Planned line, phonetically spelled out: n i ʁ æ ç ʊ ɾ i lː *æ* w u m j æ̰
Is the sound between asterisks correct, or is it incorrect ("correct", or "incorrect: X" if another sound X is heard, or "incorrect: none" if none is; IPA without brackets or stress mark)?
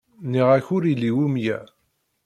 incorrect: i